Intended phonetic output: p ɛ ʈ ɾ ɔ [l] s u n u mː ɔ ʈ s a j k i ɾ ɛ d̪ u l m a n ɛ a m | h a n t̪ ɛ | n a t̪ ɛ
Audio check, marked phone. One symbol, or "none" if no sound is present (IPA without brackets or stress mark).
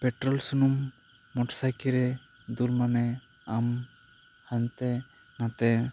l